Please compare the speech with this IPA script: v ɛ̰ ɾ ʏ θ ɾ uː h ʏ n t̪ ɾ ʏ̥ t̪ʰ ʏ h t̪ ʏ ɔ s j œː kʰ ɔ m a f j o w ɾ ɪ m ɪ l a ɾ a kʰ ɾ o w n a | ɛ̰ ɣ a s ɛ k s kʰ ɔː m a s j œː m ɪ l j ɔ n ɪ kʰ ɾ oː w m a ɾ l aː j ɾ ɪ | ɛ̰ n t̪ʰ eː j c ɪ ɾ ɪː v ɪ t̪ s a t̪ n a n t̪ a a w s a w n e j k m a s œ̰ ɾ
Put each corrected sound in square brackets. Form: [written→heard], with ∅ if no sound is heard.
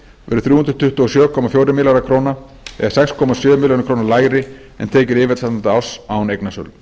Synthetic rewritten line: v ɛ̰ ɾ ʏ θ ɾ uː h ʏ n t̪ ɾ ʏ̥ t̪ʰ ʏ h t̪ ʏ ɔ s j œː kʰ ɔ m a f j o w ɾ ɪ m ɪ l a ɾ a kʰ ɾ o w n a | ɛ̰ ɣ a s ɛ k s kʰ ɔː m a s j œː m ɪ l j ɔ n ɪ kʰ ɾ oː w [m→n] a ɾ l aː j ɾ ɪ | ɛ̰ n t̪ʰ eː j c ɪ ɾ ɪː v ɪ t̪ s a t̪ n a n t̪ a a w s a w n e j k [m→n] a s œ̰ [ɾ→l]